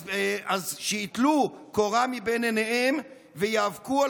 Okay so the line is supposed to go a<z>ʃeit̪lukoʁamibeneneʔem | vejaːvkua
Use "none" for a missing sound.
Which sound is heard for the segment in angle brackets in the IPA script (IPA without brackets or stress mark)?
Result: z